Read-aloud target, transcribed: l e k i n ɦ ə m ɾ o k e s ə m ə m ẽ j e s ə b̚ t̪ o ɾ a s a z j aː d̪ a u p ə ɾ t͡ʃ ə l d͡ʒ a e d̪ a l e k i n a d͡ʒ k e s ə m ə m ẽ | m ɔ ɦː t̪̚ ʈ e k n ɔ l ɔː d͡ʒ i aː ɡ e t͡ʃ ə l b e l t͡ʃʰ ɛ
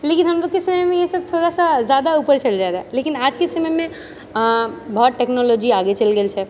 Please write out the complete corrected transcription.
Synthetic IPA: l e k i n ɦ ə m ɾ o k e s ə m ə m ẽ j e s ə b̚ t̪ʰ o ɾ a s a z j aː d̪ a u p ə ɾ t͡ʃ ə l d͡ʒ a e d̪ a l e k i n a d͡ʒ k e s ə m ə m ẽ | b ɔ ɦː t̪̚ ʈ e k n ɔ l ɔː d͡ʒ i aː ɡ e t͡ʃ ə l ɡ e l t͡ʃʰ ɛ